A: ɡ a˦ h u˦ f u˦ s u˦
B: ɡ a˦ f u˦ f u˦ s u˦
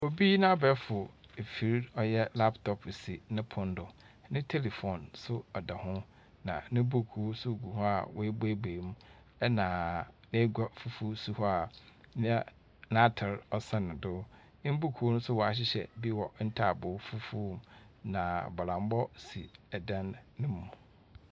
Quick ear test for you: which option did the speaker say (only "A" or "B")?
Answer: B